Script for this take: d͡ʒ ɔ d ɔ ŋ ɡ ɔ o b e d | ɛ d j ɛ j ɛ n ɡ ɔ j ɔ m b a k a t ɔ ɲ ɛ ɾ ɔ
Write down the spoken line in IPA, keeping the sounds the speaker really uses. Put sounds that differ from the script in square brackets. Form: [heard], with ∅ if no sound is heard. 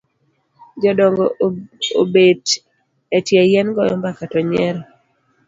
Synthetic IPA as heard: d͡ʒ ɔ d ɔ ŋ ɡ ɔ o b e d | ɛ [t] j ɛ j ɛ n ɡ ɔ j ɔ m b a k a t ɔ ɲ ɛ ɾ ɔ